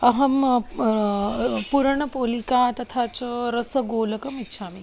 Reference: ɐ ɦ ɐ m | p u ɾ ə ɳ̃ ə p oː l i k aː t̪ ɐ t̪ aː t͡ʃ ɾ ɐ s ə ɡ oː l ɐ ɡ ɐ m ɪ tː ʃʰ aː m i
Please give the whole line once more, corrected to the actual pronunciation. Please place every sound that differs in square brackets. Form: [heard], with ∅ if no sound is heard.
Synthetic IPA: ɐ ɦ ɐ m | p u ɾ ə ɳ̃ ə p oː l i k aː t̪ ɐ [t̪ʰ] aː t͡ʃ ɾ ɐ s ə ɡ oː l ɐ [k] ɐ m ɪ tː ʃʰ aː m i